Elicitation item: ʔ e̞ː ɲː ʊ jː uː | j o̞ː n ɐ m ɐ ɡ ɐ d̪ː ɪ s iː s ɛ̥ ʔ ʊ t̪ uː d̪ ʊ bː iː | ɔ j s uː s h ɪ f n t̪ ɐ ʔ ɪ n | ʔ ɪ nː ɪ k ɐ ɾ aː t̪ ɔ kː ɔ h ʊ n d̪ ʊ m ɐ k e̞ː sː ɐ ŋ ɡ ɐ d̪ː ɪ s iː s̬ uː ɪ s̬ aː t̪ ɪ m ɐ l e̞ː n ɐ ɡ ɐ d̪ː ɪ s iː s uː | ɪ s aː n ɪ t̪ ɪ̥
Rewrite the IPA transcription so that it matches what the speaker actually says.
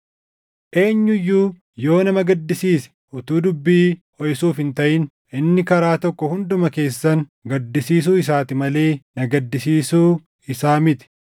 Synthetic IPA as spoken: ʔ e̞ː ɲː ʊ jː uː | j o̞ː n ɐ m ɐ ɡ ɐ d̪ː ɪ s iː s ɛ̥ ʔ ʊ t̪ uː d̪ ʊ bː iː | ɔ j s uː f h ɪ n t̪ ɐ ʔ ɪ n | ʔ ɪ nː ɪ k ɐ ɾ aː t̪ ɔ kː ɔ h ʊ n d̪ ʊ m ɐ k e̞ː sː ɐ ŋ ɡ ɐ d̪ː ɪ s iː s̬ uː ɪ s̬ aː t̪ ɪ m ɐ l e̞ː n ɐ ɡ ɐ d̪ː ɪ s iː s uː | ɪ s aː m ɪ t̪ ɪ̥